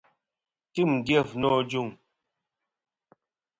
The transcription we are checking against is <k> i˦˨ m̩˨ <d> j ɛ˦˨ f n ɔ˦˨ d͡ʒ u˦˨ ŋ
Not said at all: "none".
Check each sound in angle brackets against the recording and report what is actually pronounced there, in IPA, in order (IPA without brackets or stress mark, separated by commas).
t, d